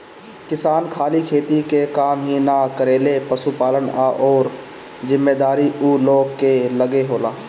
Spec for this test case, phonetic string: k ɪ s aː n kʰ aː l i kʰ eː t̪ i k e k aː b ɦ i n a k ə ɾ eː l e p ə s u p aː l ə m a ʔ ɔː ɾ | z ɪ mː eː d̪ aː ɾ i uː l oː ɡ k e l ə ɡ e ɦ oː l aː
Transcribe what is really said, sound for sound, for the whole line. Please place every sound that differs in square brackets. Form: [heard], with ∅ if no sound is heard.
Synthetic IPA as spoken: k ɪ s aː n kʰ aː l i kʰ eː t̪ i k e k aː [m] ɦ i n a k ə ɾ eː l e p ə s u p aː l ə [n] a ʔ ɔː ɾ | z ɪ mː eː d̪ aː ɾ i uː l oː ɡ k e l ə ɡ e ɦ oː l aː